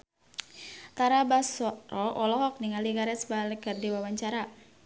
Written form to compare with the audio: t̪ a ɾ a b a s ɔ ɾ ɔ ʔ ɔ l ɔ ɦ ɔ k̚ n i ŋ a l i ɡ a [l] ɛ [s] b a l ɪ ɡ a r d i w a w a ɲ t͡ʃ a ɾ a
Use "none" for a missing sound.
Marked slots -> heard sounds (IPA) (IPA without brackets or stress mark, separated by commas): ɾ, s